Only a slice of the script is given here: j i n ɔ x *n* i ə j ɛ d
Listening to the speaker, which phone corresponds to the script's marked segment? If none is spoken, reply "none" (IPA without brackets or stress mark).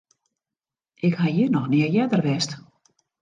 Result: n